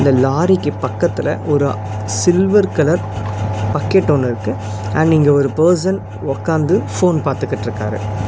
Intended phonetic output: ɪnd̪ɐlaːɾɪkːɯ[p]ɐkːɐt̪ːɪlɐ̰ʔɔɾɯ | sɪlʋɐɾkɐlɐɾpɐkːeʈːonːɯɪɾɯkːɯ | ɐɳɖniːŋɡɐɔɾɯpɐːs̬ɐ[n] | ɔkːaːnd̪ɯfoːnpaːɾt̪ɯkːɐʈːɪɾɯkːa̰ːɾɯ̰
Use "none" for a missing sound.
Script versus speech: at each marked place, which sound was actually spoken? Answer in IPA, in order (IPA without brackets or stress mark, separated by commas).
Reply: p, n